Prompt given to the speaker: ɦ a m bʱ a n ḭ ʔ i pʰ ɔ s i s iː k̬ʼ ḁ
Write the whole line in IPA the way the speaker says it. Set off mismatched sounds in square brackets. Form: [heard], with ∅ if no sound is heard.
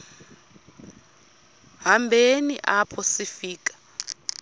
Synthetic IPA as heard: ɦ a m bʱ [e] n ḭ ʔ [a] pʰ ɔ s i [f] iː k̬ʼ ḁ